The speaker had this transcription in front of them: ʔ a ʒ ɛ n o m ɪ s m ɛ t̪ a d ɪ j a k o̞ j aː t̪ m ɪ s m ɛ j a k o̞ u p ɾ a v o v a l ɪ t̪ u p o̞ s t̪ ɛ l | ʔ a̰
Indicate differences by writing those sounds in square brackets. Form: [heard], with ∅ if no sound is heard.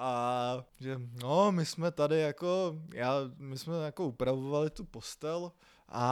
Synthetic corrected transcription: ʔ a ʒ ɛ n o m ɪ s m ɛ t̪ a d ɪ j a k o̞ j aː [∅] m ɪ s m ɛ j a k o̞ u p ɾ a v o v a l ɪ t̪ u p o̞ s t̪ ɛ l | ʔ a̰